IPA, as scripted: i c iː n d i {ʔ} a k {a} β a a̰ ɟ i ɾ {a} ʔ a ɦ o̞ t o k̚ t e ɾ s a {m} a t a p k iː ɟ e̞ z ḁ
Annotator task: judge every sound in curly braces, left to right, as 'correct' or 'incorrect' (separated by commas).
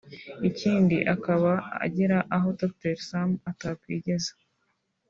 correct, correct, correct, correct